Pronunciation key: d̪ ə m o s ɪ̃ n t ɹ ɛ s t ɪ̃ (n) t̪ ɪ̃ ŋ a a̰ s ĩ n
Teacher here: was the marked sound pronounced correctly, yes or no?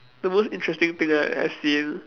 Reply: no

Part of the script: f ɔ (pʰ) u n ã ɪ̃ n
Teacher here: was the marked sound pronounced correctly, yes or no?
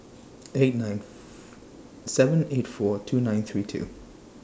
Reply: no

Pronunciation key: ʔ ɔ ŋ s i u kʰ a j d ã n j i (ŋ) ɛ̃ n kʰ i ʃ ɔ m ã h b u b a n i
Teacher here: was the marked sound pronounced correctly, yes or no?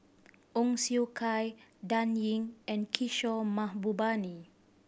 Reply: yes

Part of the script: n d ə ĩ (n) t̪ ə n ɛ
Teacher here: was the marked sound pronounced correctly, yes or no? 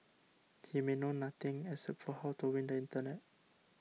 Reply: yes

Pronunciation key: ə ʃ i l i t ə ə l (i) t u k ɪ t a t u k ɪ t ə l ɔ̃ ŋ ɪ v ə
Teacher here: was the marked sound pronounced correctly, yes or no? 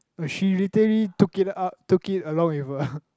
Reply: yes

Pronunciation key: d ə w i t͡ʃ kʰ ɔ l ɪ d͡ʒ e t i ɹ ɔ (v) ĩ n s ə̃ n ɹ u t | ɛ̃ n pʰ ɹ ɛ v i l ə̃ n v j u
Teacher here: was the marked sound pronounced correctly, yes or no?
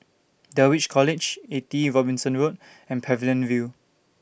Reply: no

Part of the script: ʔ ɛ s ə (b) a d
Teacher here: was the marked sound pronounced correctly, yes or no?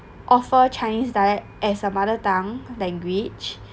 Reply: no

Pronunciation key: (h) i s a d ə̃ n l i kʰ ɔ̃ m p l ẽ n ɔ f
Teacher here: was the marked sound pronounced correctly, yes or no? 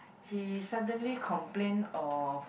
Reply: yes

